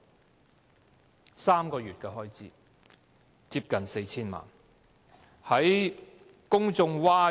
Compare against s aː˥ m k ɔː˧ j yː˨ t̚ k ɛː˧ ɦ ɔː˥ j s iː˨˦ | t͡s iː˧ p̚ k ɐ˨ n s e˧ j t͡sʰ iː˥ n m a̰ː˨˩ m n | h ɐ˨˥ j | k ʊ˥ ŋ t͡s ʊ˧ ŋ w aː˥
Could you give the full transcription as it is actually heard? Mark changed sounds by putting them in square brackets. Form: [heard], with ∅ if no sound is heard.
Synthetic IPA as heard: s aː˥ m k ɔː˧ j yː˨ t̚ k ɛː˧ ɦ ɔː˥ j [t͡s] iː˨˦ | t͡s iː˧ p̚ k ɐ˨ n s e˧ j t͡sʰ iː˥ n m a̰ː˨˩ [∅] n | h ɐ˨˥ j | k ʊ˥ ŋ t͡s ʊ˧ ŋ w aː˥